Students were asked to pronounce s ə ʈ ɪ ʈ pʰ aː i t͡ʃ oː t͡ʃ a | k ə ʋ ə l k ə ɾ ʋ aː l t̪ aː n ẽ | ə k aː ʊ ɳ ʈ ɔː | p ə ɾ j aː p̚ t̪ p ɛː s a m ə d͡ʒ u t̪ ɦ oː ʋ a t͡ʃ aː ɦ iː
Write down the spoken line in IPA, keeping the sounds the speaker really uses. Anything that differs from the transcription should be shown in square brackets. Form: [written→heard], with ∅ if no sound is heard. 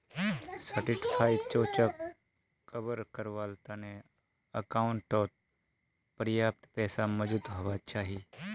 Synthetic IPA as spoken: s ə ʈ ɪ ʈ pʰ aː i t͡ʃ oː t͡ʃ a | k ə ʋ ə [l→ɾ] k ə ɾ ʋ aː l t̪ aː n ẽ | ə k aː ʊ ɳ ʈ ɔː | p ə ɾ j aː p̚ t̪ p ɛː s a m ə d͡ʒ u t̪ ɦ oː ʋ a t͡ʃ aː ɦ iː